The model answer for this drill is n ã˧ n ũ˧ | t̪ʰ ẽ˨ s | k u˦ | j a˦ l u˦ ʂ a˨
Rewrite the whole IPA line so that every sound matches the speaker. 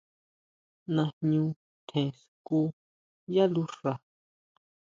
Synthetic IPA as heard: n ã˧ ɲ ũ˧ | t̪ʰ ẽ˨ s | k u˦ | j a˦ l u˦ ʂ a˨